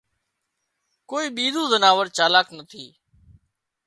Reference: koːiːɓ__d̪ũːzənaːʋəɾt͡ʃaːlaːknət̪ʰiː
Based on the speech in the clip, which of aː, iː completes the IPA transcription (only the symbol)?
iː